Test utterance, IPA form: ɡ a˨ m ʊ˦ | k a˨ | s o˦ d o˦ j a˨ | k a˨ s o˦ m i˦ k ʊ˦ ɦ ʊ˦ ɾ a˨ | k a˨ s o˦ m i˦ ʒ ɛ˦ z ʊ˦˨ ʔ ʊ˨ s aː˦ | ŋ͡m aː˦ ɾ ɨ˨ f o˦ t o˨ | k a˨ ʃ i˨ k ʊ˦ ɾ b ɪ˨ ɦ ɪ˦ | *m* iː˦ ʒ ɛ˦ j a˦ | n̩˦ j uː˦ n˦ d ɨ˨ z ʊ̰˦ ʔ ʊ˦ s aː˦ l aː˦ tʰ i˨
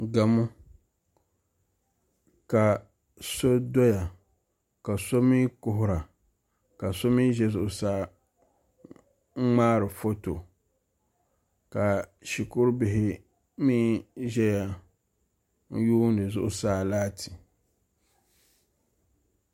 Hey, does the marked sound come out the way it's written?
yes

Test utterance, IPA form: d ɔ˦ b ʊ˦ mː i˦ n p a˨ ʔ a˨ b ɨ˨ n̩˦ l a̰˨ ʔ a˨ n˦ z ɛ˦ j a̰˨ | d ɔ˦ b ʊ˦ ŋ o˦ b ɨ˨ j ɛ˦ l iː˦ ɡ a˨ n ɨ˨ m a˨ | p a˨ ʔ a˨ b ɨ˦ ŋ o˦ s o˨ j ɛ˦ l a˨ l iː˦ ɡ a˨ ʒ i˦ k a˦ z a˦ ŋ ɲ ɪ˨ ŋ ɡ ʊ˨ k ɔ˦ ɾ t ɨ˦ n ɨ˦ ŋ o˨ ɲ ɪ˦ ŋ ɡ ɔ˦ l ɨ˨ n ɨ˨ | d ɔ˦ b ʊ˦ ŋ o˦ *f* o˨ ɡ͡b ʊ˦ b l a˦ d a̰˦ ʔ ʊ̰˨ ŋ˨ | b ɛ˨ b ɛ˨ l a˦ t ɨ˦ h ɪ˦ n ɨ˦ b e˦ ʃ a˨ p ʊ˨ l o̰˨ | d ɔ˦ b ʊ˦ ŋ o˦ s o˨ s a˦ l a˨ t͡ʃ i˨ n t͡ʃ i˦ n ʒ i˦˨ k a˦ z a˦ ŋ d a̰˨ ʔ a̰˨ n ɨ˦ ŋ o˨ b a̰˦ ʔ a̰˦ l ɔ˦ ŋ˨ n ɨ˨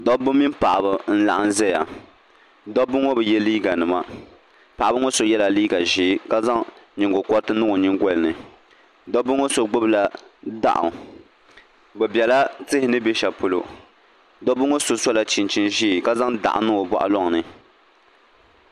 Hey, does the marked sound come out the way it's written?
no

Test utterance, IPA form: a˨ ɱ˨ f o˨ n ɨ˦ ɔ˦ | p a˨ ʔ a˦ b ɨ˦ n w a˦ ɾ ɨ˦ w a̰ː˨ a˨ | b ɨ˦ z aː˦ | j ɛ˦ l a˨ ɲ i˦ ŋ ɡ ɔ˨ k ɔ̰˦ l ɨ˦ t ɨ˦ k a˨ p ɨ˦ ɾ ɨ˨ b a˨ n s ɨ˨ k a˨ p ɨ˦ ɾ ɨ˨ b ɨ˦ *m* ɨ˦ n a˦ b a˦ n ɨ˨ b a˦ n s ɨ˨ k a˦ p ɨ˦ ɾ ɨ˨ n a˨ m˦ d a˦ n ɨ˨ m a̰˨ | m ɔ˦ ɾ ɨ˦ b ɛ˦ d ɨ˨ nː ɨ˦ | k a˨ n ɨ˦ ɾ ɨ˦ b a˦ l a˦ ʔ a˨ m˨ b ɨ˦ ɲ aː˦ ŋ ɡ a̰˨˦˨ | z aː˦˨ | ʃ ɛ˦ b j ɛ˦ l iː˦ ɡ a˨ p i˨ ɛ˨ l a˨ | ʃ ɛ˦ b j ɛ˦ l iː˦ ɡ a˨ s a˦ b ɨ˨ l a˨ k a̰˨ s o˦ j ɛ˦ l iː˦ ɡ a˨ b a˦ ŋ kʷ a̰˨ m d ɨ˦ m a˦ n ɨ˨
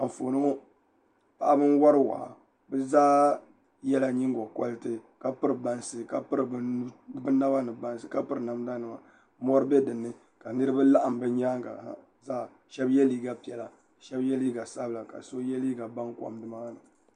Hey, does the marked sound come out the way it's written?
no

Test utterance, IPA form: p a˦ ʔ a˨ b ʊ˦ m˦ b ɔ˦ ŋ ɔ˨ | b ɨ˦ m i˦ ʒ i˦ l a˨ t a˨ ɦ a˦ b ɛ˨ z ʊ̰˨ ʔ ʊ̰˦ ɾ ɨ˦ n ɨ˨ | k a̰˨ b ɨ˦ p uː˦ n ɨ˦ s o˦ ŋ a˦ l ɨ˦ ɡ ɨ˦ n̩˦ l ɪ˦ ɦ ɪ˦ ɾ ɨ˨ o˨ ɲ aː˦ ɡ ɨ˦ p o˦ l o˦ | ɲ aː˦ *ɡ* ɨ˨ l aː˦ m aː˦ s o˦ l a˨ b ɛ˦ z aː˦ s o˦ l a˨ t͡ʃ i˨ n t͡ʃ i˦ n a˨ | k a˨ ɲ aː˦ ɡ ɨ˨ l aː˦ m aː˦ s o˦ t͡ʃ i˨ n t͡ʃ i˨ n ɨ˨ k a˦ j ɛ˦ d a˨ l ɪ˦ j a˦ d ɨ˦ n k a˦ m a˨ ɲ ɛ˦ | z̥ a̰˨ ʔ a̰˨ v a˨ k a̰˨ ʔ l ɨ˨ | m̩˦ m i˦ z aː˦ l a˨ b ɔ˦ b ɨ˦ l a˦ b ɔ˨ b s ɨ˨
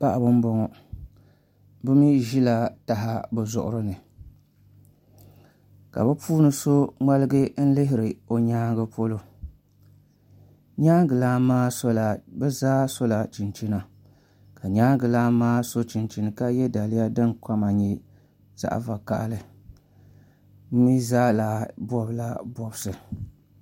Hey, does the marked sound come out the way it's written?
yes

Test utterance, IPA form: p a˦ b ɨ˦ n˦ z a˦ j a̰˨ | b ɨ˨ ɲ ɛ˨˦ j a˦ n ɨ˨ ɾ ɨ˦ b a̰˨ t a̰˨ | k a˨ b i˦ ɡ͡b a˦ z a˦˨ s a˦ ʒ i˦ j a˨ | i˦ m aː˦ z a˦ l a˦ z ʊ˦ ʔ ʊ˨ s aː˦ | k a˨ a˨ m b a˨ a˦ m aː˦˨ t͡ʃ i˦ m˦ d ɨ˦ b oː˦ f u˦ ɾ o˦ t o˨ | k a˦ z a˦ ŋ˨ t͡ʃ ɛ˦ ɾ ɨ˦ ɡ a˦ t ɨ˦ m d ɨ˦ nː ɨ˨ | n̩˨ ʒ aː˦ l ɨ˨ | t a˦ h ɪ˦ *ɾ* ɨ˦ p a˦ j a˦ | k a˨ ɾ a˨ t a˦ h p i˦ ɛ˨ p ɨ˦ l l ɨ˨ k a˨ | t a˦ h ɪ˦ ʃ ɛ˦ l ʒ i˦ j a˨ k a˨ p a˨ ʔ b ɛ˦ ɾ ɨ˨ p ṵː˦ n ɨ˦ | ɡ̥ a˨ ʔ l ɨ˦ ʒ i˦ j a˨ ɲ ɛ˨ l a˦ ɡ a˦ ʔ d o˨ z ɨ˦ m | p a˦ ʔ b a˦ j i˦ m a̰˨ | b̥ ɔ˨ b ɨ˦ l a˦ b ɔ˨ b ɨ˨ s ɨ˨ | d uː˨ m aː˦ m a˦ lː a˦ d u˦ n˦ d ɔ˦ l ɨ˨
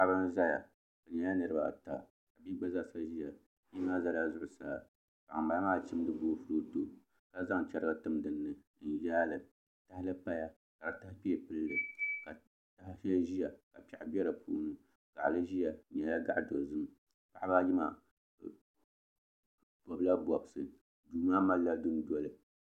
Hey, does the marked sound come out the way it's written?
no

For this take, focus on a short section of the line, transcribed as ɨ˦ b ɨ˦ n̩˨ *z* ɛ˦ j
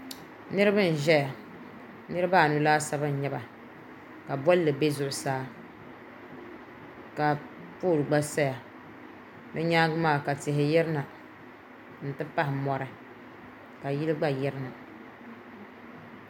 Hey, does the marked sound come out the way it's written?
no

